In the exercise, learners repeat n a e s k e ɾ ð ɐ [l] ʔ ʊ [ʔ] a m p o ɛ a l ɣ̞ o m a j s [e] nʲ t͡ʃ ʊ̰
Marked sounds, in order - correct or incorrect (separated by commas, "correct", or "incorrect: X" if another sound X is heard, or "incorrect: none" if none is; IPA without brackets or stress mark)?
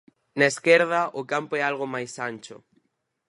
incorrect: none, incorrect: k, incorrect: a